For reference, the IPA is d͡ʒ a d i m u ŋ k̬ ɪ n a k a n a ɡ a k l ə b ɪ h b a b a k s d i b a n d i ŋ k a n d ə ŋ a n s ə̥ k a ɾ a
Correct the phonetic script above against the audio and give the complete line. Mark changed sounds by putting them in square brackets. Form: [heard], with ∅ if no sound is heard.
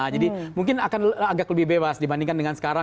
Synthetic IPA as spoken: d͡ʒ a d i m u ŋ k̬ ɪ n a k a n a ɡ a k l ə b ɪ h b [e] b a [∅] s d i b a n d i ŋ k a n d ə ŋ a n s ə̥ k a ɾ a

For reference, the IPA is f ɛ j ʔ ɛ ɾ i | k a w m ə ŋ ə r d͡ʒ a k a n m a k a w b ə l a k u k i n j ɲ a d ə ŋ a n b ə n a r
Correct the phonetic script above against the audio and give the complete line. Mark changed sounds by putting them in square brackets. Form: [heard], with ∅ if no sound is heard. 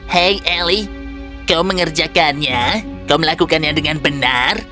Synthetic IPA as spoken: [h] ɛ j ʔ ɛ [l] i | k a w m ə ŋ ə r d͡ʒ a k a n [ɲ] a k a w [m] ə l a k u k [a] n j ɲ a d ə ŋ a n b ə n a r

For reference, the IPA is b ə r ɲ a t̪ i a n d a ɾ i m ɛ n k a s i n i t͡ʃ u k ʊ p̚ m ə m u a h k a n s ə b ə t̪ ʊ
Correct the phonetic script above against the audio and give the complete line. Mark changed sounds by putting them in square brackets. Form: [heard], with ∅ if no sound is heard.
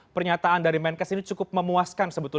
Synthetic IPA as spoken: [p] ə r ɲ a t̪ [a] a n d a ɾ i m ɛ n k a s i n i t͡ʃ u k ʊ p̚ m ə m u a [s] k a n s ə b ə t̪ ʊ

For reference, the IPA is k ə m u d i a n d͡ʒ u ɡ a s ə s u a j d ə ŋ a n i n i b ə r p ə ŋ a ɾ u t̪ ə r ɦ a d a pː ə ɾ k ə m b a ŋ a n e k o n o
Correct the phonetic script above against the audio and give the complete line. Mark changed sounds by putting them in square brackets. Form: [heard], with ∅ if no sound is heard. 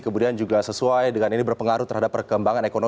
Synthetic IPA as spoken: k ə m u d i a n d͡ʒ u ɡ a s ə s u a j d ə ŋ a n i n i b ə r p ə ŋ a ɾ u t̪ ə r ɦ a d a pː ə [r] k ə m b a ŋ a n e k o n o

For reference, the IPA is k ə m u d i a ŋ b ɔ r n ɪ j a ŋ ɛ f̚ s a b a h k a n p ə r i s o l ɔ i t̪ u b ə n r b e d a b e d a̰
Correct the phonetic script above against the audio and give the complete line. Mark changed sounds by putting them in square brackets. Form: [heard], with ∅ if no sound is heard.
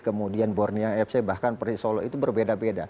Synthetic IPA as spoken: k ə m u d i a [n] b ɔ r n [i] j a ŋ ɛ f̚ s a b a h k a n p ə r i s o l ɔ i t̪ u b ə [∅] r b e d a b e d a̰

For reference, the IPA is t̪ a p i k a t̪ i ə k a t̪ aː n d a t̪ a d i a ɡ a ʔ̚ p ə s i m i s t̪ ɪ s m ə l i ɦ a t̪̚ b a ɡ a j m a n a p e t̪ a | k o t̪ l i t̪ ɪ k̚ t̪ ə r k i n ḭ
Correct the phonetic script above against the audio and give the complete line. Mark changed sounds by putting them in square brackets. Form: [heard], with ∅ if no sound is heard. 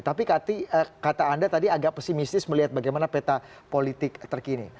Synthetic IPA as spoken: t̪ a p i k a t̪ i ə k a t̪ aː n d a t̪ a d i a ɡ a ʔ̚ p ə s i m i s t̪ ɪ s m ə l i ɦ a t̪̚ b a ɡ a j m a n a p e t̪ a | [p] o [∅] l i t̪ ɪ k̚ t̪ ə r k i n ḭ

